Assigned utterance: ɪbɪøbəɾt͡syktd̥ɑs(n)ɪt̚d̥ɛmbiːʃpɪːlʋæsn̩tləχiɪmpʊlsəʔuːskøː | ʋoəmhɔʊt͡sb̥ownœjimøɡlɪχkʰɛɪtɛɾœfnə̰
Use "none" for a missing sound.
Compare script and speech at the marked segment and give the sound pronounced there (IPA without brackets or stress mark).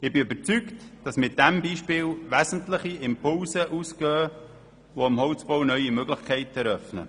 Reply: m